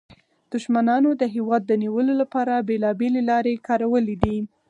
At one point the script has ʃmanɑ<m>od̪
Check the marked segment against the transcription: incorrect: n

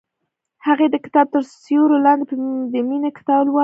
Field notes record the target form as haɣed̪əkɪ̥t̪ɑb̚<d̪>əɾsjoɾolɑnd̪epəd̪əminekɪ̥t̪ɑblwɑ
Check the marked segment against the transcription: incorrect: t̪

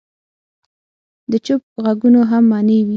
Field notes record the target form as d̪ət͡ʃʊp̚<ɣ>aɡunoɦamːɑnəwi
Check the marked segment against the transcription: correct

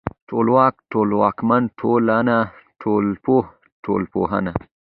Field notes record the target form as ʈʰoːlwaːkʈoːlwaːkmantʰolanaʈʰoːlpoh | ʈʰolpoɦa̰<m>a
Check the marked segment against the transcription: incorrect: n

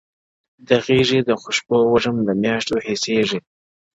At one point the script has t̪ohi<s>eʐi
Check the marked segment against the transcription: correct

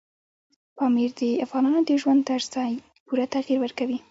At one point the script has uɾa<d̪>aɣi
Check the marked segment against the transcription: incorrect: t̪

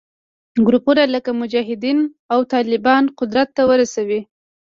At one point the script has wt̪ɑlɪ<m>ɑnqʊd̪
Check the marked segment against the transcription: incorrect: b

